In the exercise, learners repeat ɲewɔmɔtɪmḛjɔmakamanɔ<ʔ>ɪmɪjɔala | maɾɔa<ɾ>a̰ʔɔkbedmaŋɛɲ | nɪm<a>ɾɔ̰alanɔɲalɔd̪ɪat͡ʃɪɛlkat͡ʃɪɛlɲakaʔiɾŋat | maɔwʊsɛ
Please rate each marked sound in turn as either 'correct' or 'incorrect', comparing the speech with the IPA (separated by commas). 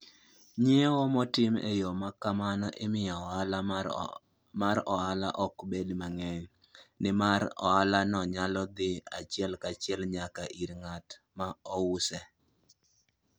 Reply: correct, incorrect, correct